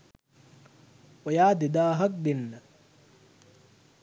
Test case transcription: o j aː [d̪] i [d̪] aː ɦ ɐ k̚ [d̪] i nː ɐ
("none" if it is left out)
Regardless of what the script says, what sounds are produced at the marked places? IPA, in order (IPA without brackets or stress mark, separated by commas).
d̪, d̪, d̪